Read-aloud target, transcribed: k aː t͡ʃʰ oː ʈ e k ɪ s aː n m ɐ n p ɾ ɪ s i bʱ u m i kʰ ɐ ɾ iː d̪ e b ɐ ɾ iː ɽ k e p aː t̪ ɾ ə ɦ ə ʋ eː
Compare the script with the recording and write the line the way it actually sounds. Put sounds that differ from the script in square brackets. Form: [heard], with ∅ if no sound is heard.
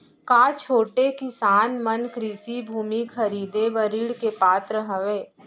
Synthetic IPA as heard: k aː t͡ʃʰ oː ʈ e k ɪ s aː n m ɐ n [k] ɾ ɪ s i bʱ [uː] m i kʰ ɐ ɾ iː d̪ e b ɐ ɾ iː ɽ k e p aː t̪ ɾ ə ɦ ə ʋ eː

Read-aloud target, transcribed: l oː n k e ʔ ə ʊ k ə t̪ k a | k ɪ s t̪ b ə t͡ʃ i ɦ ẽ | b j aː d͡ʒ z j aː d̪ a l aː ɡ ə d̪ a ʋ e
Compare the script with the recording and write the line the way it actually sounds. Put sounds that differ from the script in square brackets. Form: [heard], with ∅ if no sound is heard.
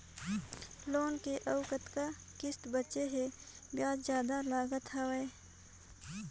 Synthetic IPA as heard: l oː n k e ʔ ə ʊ k ə t̪ k a | k ɪ s t̪ b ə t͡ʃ [e] ɦ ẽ | b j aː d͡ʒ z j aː d̪ a l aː ɡ ə [t̪] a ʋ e

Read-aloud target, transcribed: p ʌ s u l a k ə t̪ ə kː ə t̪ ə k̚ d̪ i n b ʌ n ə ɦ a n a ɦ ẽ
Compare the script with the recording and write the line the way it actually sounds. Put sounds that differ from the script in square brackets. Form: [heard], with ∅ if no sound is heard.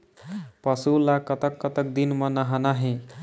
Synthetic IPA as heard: p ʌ s u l a k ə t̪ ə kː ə t̪ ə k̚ d̪ i n [m] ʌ n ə ɦ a n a ɦ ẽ

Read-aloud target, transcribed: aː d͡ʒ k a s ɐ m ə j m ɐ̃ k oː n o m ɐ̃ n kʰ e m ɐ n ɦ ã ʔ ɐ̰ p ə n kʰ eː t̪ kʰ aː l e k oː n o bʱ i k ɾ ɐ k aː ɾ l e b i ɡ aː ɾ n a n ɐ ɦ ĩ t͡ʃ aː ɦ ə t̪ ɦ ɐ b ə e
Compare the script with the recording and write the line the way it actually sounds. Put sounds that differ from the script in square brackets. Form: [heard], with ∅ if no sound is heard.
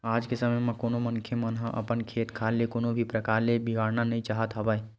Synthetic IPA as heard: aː d͡ʒ k [e] s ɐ m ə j m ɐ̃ k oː n o m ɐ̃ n kʰ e m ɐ n ɦ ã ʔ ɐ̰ p ə n kʰ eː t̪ kʰ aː l e k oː n o bʱ i [p] ɾ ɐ k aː ɾ l e b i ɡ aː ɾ n a n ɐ ɦ ĩ t͡ʃ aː ɦ ə t̪ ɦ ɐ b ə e

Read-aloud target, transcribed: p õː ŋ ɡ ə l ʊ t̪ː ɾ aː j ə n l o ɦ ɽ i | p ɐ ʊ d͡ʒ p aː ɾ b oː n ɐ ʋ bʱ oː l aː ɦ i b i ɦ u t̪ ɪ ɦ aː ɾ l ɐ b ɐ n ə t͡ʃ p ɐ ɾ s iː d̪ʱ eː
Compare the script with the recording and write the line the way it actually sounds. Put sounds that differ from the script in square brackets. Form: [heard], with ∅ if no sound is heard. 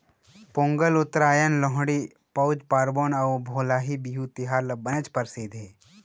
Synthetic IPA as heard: p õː ŋ ɡ ə l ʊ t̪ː ɾ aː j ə n l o ɦ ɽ i | p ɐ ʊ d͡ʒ p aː ɾ b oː n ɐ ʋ bʱ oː l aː ɦ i b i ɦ u t̪ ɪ ɦ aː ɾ l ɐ b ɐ n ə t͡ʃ p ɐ ɾ s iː d̪ʱ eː

